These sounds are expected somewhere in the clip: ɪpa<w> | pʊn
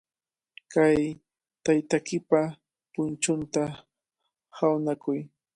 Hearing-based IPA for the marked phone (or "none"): none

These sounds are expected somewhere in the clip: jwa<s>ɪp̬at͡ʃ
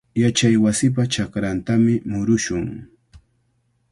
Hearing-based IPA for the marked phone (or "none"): s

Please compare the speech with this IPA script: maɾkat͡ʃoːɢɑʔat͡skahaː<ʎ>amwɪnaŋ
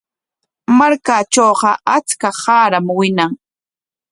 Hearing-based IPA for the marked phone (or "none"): ɾ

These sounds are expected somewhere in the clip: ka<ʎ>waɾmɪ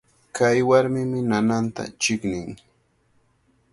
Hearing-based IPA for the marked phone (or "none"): j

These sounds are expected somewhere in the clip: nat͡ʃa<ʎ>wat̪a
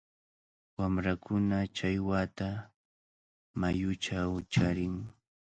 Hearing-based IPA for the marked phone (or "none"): j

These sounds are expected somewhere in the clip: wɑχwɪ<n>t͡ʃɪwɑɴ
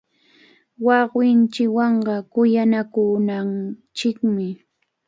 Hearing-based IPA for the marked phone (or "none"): n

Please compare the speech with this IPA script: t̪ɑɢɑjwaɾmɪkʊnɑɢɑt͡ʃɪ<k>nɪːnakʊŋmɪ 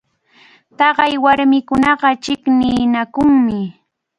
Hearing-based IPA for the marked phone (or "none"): k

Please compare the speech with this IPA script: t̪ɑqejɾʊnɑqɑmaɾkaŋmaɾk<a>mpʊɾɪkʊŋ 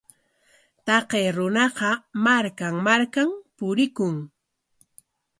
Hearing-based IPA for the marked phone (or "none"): a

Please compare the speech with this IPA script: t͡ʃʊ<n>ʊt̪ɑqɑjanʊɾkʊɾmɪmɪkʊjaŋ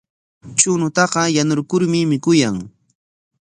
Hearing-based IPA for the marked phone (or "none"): n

